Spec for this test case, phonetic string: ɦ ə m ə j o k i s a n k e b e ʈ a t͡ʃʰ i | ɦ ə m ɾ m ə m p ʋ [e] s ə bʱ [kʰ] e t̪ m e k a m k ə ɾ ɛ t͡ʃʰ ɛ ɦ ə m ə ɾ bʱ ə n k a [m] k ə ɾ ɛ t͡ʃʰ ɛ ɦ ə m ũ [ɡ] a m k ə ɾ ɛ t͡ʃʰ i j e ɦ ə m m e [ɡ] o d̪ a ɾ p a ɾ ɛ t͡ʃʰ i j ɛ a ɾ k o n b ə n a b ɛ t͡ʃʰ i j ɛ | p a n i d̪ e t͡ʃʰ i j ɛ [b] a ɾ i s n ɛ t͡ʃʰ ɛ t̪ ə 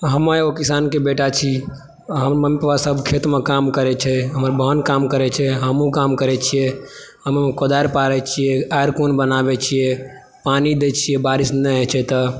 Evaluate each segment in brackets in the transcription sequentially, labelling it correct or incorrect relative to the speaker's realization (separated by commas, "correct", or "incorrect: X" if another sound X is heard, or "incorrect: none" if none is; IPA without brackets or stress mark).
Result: incorrect: a, correct, correct, incorrect: k, incorrect: k, correct